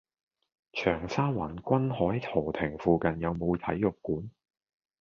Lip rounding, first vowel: rounded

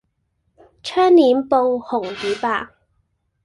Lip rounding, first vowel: rounded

